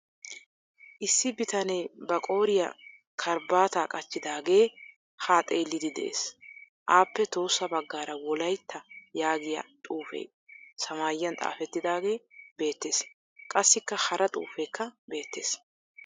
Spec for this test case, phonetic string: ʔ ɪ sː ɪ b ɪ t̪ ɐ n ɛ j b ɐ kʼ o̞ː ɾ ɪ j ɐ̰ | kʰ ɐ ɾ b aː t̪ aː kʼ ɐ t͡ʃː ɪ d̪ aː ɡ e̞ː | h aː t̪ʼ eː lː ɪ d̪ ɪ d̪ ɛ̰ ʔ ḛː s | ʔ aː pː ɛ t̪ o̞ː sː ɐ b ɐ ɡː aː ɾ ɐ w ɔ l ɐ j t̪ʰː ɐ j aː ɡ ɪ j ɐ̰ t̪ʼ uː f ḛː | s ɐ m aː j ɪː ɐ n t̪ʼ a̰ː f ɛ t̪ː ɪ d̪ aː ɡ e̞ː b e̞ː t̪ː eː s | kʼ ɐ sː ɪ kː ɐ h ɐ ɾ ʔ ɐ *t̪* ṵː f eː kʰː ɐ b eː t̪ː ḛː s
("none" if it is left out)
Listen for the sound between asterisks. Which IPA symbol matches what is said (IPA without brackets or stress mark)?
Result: t̪ʼ